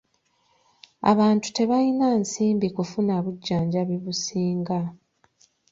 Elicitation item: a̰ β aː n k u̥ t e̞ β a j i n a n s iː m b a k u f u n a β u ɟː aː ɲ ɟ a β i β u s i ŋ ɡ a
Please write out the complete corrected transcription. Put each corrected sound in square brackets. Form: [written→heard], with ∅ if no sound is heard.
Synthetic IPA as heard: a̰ β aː n [k→t] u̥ t e̞ β a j i n a n s iː m b [a→i] k u f u n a β u ɟː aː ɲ ɟ a β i β u s [i→iː] ŋ ɡ a